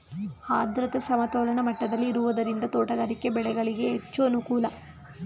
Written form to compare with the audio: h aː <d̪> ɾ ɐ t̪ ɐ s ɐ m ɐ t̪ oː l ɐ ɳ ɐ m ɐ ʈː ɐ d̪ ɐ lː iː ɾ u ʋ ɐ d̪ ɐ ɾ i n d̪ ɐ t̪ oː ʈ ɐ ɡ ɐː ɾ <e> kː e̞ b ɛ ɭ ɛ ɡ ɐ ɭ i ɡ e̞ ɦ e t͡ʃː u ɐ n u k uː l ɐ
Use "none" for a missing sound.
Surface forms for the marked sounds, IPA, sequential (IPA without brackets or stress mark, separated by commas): d̪, i